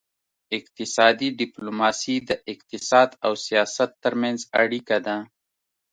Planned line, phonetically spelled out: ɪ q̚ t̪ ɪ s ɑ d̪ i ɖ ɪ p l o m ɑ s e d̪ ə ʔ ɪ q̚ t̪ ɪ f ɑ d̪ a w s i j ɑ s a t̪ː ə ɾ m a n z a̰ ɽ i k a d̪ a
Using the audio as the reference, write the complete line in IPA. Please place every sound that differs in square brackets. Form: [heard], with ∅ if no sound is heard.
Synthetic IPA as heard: ɪ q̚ t̪ ɪ s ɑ d̪ i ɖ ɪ p l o m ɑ s [i] d̪ ə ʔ ɪ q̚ t̪ ɪ [s] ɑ d̪ a w s i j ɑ s a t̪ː ə ɾ m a n z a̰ ɽ i k a d̪ a